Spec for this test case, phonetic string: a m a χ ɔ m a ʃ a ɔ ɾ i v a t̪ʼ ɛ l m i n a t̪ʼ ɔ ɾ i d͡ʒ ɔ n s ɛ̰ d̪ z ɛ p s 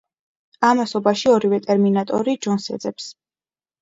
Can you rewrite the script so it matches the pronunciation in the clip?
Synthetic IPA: a m a s ɔ b a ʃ i ɔ ɾ i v ɛ t̪ʼ ɛ ɾ m i n a t̪ʼ ɔ ɾ i d͡ʒ ɔ n s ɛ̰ d̪ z ɛ p s